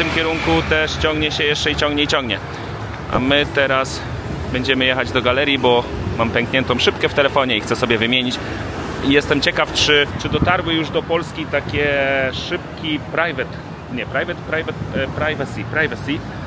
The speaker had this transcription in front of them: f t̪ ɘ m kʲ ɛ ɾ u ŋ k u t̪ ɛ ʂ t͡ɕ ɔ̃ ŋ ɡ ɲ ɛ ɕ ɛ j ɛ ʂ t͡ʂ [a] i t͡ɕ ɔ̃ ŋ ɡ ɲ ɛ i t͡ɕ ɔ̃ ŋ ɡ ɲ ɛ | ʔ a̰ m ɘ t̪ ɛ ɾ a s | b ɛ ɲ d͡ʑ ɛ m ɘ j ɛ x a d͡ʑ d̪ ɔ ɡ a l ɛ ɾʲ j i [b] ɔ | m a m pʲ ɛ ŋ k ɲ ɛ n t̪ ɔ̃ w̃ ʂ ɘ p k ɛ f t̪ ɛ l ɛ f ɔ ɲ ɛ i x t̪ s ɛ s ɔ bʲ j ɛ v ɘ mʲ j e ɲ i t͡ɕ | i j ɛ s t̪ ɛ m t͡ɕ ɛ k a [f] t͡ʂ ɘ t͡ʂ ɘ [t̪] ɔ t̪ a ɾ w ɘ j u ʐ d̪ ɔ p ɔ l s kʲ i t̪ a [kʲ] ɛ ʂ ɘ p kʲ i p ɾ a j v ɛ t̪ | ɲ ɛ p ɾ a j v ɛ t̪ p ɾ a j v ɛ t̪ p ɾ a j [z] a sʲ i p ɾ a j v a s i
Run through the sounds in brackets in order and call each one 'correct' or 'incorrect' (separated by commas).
incorrect, correct, correct, incorrect, correct, incorrect